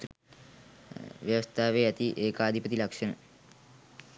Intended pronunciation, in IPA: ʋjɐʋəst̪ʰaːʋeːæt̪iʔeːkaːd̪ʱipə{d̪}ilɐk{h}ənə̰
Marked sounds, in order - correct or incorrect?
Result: incorrect, incorrect

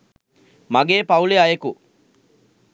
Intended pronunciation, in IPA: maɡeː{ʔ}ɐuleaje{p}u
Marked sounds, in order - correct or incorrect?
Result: incorrect, incorrect

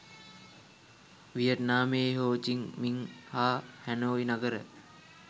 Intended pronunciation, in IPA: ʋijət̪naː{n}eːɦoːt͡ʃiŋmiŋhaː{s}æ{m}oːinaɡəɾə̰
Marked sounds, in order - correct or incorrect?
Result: incorrect, incorrect, incorrect

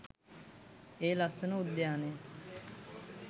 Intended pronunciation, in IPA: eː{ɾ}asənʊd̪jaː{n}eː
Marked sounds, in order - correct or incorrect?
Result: incorrect, correct

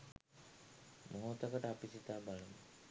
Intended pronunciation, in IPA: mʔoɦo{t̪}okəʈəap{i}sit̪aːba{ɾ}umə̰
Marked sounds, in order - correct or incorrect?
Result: correct, correct, incorrect

